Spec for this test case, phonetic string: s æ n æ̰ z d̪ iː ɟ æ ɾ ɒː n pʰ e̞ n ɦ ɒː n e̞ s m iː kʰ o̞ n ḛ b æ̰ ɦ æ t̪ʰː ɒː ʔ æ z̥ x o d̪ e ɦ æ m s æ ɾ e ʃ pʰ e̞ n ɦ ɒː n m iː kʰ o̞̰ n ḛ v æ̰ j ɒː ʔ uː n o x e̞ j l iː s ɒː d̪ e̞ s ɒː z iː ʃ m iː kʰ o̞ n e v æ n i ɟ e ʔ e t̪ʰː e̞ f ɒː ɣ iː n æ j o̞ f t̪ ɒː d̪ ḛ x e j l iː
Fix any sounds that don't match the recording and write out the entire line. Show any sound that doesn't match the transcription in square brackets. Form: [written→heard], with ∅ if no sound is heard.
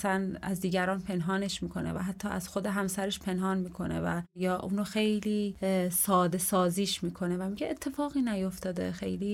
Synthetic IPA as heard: s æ n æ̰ z d̪ iː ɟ æ ɾ ɒː n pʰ e̞ n ɦ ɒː n e̞ [s→ʃ] m iː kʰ o̞ n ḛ [b→v] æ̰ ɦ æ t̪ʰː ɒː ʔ æ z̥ x o d̪ e ɦ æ m s æ ɾ e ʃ pʰ e̞ n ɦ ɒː n m iː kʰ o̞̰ n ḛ v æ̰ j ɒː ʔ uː n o x e̞ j l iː s ɒː d̪ e̞ s ɒː z iː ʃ m iː kʰ o̞ n e v æ [n→m] i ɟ e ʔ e t̪ʰː e̞ f ɒː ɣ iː n æ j o̞ f t̪ ɒː d̪ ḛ x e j l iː